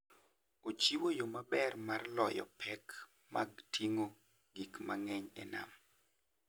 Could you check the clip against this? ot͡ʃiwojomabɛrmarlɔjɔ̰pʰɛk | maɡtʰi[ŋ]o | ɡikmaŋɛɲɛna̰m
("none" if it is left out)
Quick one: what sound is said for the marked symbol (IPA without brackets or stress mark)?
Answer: ŋ